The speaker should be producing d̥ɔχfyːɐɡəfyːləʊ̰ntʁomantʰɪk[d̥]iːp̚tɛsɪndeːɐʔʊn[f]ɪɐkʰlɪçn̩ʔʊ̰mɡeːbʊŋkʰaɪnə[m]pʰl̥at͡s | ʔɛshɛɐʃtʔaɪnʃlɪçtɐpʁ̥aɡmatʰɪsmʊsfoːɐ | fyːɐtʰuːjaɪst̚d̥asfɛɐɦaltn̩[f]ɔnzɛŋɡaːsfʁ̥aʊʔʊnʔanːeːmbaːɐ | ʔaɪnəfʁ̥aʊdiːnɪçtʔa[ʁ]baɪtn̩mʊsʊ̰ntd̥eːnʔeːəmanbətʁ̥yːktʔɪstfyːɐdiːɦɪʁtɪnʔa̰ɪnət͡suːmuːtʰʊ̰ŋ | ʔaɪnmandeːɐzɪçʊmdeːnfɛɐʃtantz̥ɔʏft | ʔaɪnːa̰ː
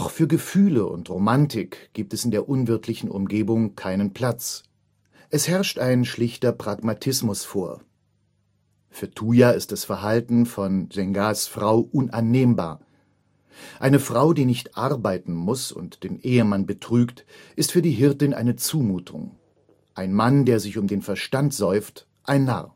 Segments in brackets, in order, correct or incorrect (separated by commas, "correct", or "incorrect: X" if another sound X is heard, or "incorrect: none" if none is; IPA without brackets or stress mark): incorrect: ɡ̥, incorrect: v, incorrect: n, correct, correct